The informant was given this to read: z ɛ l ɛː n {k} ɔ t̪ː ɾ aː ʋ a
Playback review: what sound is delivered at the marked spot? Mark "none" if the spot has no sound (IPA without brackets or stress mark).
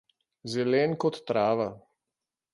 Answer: k